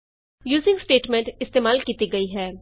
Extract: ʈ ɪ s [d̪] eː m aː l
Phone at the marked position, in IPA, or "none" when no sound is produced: t̪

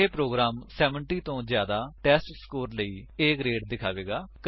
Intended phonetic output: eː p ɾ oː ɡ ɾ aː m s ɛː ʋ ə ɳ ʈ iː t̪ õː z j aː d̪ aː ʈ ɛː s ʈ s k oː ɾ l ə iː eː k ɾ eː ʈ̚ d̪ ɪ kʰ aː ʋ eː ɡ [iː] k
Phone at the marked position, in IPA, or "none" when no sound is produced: aː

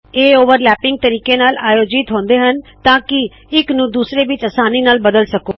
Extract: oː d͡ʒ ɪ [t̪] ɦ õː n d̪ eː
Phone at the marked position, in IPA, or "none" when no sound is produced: t̪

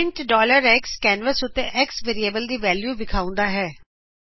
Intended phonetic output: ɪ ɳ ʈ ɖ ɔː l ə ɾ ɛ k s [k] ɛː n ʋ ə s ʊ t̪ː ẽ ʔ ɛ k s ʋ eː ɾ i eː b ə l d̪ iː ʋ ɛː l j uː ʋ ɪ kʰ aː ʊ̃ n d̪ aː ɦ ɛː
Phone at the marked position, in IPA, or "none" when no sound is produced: k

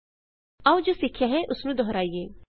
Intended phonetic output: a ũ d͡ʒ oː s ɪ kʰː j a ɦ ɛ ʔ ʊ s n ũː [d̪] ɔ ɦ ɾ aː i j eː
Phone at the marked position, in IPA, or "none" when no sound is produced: d̪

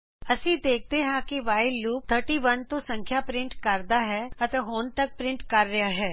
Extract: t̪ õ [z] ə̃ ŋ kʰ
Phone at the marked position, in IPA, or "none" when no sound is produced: s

